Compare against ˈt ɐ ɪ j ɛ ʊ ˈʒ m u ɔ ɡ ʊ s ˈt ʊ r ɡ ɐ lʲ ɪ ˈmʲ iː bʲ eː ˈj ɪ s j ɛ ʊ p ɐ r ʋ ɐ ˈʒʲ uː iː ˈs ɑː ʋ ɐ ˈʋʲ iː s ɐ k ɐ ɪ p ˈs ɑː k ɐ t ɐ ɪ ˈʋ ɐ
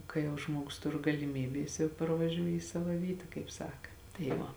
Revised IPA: ˈk ɐ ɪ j ɛ ʊ ˈʒ m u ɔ ɡ ʊ s ˈt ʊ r ɡ ɐ lʲ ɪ ˈmʲ iː bʲ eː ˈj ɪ s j ɛ ʊ p ɐ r ʋ ɐ ˈʒʲ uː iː ˈs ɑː ʋ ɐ ˈʋʲ iː t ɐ k ɐ ɪ p ˈs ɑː k ɐ t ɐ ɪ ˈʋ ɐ

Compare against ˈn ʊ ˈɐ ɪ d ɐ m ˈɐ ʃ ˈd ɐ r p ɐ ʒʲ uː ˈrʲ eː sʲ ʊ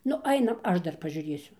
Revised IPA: ˈn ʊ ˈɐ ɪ n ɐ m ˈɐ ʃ ˈd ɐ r p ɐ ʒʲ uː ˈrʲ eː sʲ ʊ

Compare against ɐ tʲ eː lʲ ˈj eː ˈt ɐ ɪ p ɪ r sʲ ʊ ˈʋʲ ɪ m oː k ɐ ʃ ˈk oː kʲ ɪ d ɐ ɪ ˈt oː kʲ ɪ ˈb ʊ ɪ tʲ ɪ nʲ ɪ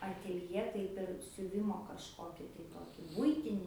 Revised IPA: ɐ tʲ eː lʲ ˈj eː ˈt ɐ ɪ p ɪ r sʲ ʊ ˈʋʲ ɪ m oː k ɐ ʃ ˈk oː kʲ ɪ t ɐ ɪ ˈt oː kʲ ɪ ˈb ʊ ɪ tʲ ɪ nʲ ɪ

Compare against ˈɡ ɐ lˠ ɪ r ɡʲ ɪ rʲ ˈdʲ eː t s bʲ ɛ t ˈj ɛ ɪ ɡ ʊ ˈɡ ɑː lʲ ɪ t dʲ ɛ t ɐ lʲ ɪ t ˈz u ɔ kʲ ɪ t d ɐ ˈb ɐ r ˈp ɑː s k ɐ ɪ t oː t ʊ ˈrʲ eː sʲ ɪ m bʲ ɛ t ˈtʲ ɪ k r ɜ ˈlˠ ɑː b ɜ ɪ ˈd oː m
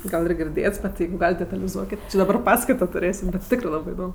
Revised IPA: ˈɡ ɐ lˠ ɪ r ɡʲ ɪ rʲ ˈdʲ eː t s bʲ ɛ t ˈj ɛ ɪ ɡ ʊ ˈɡ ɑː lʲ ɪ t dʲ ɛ t ɐ lʲ ɪ ˈz u ɔ kʲ ɪ t d ɐ ˈb ɐ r ˈp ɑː s k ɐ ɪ t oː t ʊ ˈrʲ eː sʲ ɪ m bʲ ɛ t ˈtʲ ɪ k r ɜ ˈlˠ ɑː b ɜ ɪ ˈd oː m

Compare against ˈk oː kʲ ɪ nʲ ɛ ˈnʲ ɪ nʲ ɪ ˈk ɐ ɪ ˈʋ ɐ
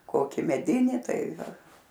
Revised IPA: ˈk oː kʲ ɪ mʲ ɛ ˈdʲ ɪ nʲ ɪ ˈt ɐ ɪ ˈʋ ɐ

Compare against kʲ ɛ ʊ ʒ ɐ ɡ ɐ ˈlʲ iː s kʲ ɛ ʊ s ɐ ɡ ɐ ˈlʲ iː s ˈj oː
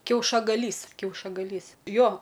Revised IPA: kʲ ɛ ʊ ʃ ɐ ɡ ɐ ˈlʲ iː s kʲ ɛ ʊ ʃ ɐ ɡ ɐ ˈlʲ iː s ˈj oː

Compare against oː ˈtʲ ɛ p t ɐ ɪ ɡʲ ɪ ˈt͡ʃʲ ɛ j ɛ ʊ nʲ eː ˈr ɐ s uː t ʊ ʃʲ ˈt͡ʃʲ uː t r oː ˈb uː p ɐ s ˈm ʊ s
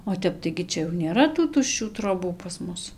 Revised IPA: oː ˈtʲ ɛ p t ɐ ɪ ɡʲ ɪ ˈt͡ʃʲ ɛ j ɛ ʊ nʲ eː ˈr ɐ t uː t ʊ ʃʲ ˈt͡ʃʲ uː t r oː ˈb uː p ɐ s ˈm ʊ s

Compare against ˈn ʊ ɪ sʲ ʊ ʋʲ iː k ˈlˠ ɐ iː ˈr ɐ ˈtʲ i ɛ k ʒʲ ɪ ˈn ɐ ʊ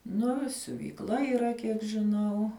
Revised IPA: ˈn ʊ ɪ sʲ ʊ ʋʲ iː k ˈlˠ ɐ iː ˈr ɐ ˈkʲ i ɛ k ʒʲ ɪ ˈn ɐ ʊ

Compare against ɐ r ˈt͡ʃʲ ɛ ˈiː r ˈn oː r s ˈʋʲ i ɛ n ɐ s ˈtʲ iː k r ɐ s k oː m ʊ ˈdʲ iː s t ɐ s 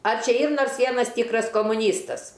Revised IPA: ɐ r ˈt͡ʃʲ ɛ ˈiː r ˈn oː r s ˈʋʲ i ɛ n ɐ s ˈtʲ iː k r ɐ s k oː m ʊ ˈnʲ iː s t ɐ s

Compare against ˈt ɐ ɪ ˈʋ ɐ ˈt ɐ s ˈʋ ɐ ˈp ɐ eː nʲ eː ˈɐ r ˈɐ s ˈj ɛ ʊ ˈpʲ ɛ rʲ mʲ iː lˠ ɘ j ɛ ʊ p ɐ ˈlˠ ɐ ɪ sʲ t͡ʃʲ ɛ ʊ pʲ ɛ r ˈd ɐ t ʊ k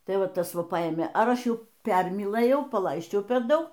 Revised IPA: ˈt ɐ ɪ ˈʋ ɐ ˈt ɐ s ˈʋ ɐ ˈp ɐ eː mʲ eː ˈɐ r ˈɐ ʃ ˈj ɛ ʊ ˈpʲ ɛ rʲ mʲ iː lˠ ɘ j ɛ ʊ p ɐ ˈlˠ ɐ ɪ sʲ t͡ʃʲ ɛ ʊ pʲ ɛ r ˈd ɐ ʊ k

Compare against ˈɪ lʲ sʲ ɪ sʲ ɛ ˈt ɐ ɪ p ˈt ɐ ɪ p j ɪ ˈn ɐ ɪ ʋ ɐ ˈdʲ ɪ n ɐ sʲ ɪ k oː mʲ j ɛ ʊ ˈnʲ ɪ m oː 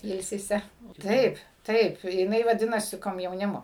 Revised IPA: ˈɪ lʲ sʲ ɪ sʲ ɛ ˈt ɐ ɪ p ˈt ɐ ɪ p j ɪ ˈn ɐ ɪ ʋ ɐ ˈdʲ ɪ n ɐ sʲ ɪ k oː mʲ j ɛ ʊ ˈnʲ ɪ m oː

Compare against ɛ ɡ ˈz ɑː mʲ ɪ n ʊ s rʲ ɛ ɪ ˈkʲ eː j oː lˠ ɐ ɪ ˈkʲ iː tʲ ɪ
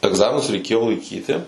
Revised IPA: ɛ ɡ ˈz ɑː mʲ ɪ n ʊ s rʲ ɛ ɪ ˈkʲ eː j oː lˠ ɐ ɪ ˈkʲ iː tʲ ɪ

